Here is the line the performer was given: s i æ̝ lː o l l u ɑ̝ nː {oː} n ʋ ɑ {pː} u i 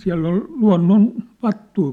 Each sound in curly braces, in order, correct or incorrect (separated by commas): incorrect, incorrect